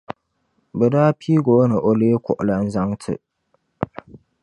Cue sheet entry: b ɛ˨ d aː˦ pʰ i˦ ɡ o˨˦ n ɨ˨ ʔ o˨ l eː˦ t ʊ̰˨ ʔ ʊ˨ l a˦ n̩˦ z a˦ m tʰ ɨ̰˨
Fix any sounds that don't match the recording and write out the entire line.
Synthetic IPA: b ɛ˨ d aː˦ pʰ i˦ ɡ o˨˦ n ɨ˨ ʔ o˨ l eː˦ k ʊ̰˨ ʔ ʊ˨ l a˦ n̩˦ z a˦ ŋ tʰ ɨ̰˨